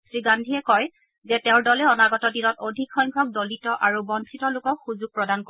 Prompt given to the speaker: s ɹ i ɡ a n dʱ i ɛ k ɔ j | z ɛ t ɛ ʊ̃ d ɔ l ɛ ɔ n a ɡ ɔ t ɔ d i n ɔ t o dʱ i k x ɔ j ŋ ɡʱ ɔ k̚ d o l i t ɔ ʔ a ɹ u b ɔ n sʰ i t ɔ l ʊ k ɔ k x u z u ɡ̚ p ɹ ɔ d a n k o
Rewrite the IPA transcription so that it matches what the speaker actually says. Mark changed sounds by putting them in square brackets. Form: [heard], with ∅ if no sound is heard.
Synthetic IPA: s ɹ i ɡ a n dʱ i ɛ k ɔ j | z ɛ t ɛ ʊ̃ d ɔ l ɛ ɔ n a ɡ ɔ t ɔ d i n ɔ t o dʱ i k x ɔ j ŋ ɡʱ ɔ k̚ d o l i t ɔ ʔ a ɹ u b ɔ n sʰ i t ɔ l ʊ k ɔ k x u z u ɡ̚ p ɹ ɔ d a n k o